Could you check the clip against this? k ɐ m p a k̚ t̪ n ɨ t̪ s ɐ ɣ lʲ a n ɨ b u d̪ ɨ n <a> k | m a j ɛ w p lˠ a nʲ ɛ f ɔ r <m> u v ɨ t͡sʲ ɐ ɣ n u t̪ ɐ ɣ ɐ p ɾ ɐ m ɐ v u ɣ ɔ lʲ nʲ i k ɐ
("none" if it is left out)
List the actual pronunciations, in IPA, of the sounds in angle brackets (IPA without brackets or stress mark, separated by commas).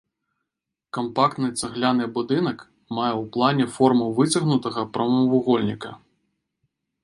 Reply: ɐ, m